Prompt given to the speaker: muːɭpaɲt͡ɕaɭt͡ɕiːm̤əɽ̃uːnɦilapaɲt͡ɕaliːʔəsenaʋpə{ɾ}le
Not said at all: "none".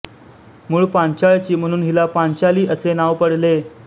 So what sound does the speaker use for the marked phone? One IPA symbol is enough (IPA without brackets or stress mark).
ɽ